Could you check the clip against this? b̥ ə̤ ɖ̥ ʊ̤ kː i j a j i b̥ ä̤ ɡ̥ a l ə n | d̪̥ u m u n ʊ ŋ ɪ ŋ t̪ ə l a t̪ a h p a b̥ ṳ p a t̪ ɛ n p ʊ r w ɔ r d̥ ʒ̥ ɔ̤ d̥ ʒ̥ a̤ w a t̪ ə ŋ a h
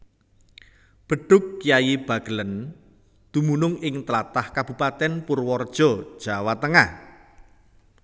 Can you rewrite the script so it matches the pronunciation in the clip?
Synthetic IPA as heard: b̥ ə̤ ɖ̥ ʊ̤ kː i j a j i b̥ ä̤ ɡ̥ ə l ə n | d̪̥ u m u n ʊ ŋ ɪ ŋ t̪ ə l a t̪ a h k a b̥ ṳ p a t̪ ɛ n p ʊ r w ɔ r d̥ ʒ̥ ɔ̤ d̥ ʒ̥ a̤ w a t̪ ə ŋ a h